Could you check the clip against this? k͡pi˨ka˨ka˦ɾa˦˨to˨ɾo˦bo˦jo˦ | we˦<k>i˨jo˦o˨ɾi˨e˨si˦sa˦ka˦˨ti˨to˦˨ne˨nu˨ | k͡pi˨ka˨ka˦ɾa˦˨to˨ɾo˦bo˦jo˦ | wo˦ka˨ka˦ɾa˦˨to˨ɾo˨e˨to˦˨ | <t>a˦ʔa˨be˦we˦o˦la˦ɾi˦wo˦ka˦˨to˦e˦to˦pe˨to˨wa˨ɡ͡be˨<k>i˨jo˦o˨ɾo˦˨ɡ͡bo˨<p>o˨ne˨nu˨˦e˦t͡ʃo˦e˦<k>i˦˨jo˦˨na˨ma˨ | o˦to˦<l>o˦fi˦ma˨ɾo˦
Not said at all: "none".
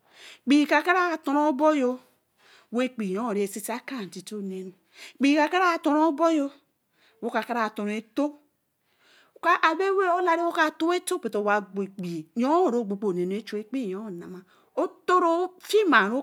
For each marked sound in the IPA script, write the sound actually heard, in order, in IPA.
k͡p, k, k͡p, k͡p, k͡p, ɾ

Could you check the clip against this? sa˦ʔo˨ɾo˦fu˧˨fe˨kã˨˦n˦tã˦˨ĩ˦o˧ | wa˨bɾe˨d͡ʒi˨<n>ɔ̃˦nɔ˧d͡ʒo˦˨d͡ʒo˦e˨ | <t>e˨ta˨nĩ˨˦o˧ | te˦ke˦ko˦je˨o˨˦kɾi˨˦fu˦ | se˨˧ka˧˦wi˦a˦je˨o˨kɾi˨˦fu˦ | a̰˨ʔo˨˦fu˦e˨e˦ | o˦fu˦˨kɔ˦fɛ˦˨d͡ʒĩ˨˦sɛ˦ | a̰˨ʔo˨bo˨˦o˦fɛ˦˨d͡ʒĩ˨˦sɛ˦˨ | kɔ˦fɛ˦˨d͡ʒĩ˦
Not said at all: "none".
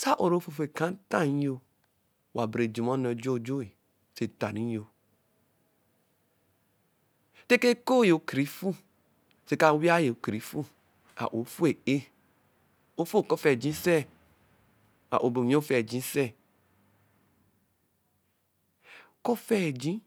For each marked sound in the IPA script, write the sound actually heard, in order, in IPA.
m, s

